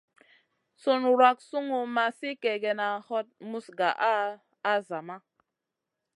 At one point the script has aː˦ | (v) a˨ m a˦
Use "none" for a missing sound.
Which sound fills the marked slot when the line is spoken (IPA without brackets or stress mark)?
z